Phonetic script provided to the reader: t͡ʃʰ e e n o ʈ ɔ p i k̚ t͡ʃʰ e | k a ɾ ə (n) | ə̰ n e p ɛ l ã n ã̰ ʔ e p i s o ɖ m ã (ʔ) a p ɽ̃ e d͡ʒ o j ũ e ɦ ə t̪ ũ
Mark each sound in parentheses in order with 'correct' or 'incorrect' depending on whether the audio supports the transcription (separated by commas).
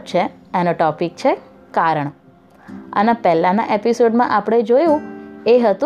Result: incorrect, correct